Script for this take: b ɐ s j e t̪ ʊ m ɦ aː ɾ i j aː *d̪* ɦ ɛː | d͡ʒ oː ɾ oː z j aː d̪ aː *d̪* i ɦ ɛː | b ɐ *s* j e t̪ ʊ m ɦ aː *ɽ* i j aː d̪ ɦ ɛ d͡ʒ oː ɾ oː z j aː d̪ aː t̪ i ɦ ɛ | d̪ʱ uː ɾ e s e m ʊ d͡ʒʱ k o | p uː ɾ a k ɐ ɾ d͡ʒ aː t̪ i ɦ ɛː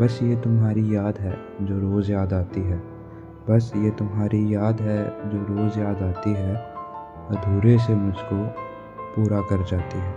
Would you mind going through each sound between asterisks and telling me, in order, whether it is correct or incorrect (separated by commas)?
correct, incorrect, correct, incorrect